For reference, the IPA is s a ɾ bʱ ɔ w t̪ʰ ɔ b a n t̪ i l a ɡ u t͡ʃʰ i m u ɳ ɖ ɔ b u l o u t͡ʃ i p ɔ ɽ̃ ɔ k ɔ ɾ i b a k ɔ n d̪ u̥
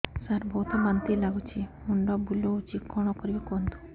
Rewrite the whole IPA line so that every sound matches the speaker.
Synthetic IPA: s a ɾ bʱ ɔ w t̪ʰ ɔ b a n t̪ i l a ɡ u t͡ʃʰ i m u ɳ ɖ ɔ b u l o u t͡ʃ i k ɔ ɽ̃ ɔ k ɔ ɾ i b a k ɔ n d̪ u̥